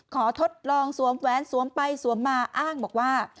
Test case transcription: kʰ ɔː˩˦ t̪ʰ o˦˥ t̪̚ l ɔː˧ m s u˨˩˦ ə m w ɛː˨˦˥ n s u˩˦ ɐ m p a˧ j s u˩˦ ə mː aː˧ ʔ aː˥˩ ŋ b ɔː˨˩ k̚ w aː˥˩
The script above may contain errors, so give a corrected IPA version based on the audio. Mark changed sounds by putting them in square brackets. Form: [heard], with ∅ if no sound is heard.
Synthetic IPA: kʰ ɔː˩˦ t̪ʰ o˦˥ t̪̚ l ɔː˧ [ŋ] s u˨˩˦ ə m w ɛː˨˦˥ n s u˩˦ [ə] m p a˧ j s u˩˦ ə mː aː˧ ʔ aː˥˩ ŋ b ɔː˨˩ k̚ w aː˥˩